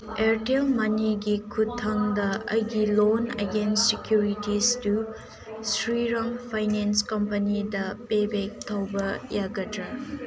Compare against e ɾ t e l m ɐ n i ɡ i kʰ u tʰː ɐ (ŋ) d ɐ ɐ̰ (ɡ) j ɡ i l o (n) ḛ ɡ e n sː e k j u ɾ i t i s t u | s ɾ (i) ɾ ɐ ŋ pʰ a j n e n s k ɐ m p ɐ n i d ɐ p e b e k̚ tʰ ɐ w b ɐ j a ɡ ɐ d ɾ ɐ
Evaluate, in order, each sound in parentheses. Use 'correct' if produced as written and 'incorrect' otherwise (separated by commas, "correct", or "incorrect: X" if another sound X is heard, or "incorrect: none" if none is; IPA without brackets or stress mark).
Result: correct, incorrect: none, correct, correct